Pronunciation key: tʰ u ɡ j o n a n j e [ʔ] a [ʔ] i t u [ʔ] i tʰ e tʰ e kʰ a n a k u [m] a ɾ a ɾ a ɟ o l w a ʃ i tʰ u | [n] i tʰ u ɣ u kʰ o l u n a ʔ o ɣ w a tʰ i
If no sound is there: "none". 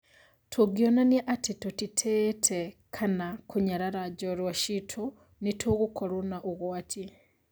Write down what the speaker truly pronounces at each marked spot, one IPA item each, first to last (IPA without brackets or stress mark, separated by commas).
ʔ, t, t, ɲ, n